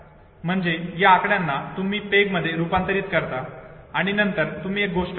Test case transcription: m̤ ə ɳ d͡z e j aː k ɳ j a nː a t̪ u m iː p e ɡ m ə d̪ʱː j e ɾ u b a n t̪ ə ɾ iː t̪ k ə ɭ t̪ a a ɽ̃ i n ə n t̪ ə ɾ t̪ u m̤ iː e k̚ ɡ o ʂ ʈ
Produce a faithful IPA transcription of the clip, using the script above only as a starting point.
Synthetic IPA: m̤ ə ɳ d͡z e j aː k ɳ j a nː a t̪ u m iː p e ɡ m ə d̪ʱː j e ɾ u p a n t̪ ə ɾ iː t̪ k ə ɾ t̪ a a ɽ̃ i n ə n t̪ ə ɾ t̪ u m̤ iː e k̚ ɡ o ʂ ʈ